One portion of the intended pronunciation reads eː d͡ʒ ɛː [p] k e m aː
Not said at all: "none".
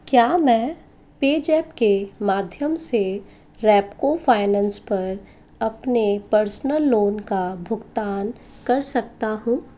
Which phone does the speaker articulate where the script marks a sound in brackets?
p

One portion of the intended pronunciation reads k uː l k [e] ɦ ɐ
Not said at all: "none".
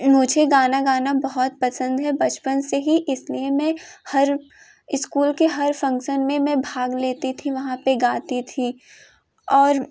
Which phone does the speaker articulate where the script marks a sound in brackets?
e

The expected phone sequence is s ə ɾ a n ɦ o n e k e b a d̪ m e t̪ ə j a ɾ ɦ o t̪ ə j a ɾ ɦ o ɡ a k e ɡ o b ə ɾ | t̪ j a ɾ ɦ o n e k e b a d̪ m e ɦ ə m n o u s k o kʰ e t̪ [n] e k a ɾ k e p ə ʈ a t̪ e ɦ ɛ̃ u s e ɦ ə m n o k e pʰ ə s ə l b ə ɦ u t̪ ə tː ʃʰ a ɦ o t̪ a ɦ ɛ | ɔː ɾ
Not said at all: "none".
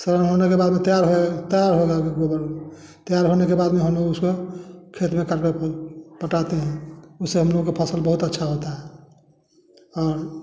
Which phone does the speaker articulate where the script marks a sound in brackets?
m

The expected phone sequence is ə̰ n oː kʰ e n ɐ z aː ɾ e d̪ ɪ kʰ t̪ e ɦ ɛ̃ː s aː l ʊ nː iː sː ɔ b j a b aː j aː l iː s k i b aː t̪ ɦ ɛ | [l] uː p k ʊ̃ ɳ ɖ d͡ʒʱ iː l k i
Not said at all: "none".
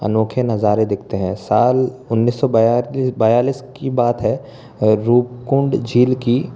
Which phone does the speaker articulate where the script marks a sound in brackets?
ɾ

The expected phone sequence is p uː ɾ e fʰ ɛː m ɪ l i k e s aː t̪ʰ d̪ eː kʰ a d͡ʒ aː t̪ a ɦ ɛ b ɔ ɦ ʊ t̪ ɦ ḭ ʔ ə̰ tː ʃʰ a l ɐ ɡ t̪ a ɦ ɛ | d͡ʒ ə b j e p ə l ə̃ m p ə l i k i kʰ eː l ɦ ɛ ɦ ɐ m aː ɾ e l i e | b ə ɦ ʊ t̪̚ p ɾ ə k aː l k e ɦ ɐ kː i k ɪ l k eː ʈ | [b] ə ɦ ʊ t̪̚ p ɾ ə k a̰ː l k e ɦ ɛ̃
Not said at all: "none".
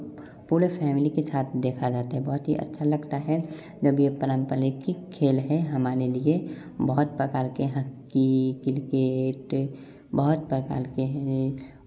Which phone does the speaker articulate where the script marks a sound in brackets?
b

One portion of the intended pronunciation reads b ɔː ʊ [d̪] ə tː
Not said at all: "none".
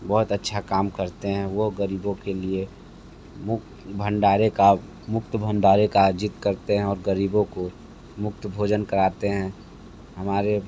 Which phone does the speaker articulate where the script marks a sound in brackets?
t̪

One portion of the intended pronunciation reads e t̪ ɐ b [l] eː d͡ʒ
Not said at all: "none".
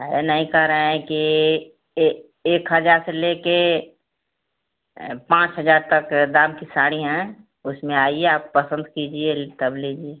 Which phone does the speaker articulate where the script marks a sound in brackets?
l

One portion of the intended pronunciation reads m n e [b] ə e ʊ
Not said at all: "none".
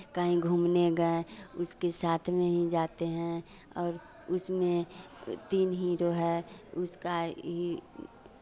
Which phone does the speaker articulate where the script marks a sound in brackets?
ɡ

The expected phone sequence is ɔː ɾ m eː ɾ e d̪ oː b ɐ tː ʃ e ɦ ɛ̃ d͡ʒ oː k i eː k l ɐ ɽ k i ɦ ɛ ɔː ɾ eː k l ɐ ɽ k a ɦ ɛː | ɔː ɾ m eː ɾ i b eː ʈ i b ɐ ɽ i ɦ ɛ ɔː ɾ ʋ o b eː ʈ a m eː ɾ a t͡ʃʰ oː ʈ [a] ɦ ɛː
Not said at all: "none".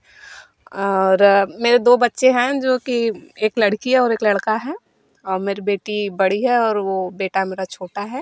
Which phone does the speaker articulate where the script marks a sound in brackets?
a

